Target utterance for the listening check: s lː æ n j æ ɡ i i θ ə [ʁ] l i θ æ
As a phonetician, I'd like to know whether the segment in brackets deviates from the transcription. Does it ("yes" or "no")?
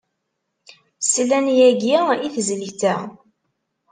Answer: yes